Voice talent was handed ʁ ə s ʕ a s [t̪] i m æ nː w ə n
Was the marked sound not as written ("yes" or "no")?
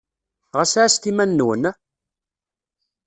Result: no